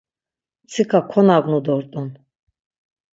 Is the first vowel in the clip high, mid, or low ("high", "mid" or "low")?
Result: high